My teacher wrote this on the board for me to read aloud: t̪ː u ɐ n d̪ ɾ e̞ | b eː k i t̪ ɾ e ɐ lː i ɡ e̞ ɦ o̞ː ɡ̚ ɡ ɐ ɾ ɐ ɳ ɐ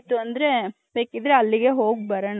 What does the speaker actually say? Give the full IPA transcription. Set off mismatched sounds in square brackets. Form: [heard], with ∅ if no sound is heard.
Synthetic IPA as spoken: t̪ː u ɐ n d̪ ɾ e̞ | b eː k i [d̪] ɾ e ɐ lː i ɡ e̞ ɦ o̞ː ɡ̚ [b] ɐ ɾ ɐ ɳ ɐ